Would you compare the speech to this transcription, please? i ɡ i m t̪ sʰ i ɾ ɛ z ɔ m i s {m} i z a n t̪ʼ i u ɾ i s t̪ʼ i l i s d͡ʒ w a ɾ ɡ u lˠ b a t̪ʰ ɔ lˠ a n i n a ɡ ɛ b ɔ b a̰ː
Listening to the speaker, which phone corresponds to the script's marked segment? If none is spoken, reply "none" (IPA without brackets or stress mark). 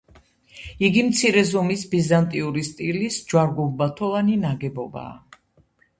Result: b